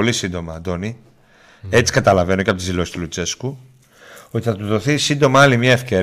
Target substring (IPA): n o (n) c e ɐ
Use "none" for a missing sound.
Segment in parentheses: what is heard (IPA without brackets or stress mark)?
none